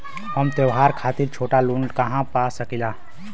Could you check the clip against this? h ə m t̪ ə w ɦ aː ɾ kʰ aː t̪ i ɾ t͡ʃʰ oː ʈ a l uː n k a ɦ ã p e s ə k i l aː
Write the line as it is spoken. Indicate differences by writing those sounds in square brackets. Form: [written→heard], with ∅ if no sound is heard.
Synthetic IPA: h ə m t̪ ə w ɦ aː ɾ kʰ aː t̪ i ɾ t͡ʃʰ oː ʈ a l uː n k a ɦ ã p [e→a] s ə k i l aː